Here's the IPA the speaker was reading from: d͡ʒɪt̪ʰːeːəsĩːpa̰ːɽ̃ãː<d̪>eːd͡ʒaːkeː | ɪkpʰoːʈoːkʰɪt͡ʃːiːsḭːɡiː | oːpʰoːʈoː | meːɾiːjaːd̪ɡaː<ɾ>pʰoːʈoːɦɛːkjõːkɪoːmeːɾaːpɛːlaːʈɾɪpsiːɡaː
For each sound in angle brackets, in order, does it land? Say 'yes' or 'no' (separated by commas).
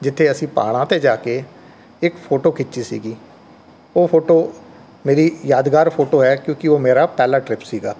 no, yes